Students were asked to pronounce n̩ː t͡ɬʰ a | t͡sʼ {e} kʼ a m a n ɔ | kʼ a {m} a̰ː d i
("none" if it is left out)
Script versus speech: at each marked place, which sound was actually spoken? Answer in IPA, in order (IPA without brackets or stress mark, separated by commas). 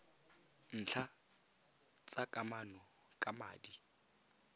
a, m